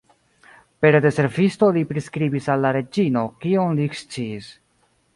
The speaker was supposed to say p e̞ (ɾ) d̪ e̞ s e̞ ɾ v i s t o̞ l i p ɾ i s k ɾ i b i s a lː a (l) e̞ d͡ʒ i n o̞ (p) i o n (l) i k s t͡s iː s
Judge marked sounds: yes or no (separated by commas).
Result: yes, no, no, yes